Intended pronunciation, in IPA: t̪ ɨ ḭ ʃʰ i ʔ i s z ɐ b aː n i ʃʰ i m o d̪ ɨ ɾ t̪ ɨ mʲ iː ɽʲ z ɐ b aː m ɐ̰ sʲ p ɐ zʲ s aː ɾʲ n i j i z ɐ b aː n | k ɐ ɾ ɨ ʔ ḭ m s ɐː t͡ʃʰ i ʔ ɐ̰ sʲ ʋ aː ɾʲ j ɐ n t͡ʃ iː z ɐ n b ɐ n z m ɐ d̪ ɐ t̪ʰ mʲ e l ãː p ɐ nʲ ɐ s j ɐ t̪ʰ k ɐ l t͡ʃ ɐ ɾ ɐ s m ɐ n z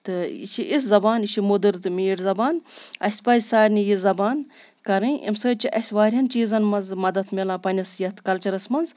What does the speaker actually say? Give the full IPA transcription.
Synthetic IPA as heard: t̪ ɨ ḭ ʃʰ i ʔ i s z ɐ b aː n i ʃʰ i m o d̪ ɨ ɾ t̪ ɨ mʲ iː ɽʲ z ɐ b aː n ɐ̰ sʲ p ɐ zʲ s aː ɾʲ n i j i z ɐ b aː n | k ɐ ɾ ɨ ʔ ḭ m s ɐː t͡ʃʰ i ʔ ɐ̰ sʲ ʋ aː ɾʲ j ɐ n t͡ʃ iː z ɐ n m ɐ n z m ɐ d̪ ɐ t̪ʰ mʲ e l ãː p ɐ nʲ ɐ s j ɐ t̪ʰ k ɐ l t͡ʃ ɐ ɾ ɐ s m ɐ n z